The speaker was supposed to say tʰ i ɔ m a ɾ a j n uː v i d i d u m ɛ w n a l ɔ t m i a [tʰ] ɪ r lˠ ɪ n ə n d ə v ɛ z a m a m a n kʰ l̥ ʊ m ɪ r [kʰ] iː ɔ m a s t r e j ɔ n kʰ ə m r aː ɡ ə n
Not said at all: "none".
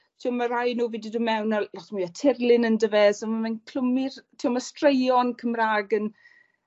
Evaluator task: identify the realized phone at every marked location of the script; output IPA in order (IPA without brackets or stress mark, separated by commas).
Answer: tʰ, tʰ